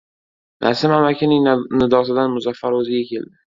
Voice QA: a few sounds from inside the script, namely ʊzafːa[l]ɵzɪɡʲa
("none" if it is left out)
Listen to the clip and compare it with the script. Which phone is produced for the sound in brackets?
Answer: ɾ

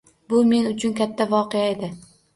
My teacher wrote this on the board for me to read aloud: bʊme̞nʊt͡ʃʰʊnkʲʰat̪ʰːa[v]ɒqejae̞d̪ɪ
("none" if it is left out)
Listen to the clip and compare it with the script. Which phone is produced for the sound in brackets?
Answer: v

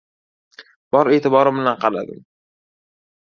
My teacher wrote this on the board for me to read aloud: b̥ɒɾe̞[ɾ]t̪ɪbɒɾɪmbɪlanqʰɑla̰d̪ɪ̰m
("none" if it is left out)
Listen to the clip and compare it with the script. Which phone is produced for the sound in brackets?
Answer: none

